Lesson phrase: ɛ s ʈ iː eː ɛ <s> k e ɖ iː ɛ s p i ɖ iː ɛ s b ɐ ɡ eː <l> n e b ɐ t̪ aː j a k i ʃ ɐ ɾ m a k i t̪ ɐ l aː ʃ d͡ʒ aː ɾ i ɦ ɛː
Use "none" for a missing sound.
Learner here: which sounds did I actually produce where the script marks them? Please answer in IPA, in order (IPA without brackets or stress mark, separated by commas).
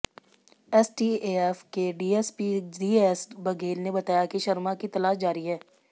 f, l